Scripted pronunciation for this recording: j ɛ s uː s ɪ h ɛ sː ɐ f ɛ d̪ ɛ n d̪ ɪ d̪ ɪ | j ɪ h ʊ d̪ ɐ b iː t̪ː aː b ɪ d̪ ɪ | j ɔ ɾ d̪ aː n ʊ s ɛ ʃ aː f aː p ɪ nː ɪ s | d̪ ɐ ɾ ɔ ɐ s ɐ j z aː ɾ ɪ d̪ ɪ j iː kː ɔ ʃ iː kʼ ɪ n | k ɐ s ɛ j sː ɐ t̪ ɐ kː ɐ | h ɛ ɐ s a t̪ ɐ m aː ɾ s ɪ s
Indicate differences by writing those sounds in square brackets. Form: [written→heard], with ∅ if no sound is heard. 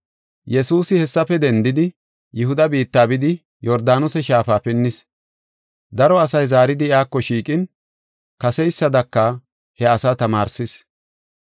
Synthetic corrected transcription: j ɛ s uː s ɪ h ɛ sː ɐ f ɛ d̪ ɛ n d̪ ɪ d̪ ɪ | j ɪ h ʊ d̪ ɐ b iː t̪ː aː b ɪ d̪ ɪ | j ɔ ɾ d̪ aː n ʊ s ɛ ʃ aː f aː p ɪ nː ɪ s | d̪ ɐ ɾ ɔ ɐ s ɐ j z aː ɾ ɪ d̪ ɪ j [iː→aː] kː ɔ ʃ iː kʼ ɪ n | k ɐ s ɛ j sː ɐ [t̪→d̪] ɐ kː ɐ | h ɛ ɐ s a t̪ ɐ m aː ɾ s ɪ s